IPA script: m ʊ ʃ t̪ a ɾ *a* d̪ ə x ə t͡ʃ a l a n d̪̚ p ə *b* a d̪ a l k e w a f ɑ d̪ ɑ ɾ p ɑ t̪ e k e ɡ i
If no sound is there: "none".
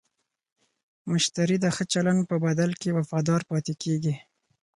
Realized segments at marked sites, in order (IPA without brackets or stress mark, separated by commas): i, b